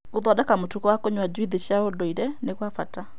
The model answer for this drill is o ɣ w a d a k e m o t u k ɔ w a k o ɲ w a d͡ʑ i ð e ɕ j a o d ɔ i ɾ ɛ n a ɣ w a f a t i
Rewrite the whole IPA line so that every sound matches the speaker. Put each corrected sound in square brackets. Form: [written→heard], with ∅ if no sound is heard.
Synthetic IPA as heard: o [ɣ→ð] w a d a k [e→a] m o t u k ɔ w a k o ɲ w a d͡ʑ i ð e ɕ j a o d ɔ i ɾ ɛ n [a→e] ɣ w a f a t [i→a]